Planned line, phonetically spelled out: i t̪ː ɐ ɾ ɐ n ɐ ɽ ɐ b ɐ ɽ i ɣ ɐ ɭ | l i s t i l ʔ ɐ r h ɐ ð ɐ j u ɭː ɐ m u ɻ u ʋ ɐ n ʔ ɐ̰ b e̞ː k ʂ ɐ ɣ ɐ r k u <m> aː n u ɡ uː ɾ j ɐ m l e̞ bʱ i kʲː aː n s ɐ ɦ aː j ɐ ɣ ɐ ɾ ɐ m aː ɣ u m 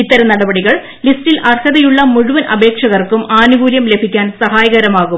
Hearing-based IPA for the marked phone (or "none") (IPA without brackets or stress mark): m